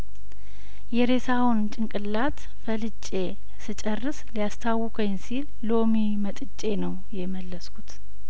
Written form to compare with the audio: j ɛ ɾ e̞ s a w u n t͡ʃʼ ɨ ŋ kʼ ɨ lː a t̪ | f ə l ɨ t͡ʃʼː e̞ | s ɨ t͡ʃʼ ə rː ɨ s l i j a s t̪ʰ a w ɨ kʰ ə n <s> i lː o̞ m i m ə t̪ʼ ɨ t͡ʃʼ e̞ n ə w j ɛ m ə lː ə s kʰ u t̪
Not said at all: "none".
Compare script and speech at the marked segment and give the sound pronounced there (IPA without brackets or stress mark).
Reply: s